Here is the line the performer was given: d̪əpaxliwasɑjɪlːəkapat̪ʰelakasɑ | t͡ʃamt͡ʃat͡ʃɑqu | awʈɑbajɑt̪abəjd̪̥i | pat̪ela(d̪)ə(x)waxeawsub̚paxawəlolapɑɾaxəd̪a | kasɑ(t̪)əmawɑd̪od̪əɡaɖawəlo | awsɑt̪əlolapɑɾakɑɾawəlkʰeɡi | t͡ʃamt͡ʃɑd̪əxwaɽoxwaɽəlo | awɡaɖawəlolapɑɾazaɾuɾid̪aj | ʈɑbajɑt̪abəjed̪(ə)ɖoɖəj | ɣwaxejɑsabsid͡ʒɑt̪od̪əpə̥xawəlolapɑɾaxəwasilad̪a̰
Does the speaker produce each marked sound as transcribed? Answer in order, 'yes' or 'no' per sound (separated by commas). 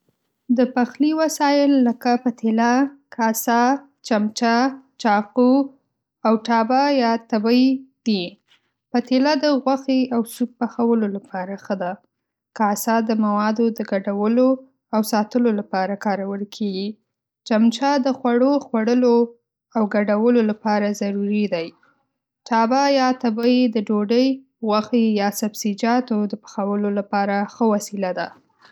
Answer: yes, no, no, yes